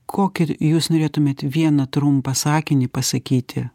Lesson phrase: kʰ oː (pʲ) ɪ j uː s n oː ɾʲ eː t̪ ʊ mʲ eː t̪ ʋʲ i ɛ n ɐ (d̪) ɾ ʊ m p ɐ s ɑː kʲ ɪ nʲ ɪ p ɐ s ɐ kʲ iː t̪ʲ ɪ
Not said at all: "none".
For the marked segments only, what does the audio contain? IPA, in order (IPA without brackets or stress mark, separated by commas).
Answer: kʲ, t̪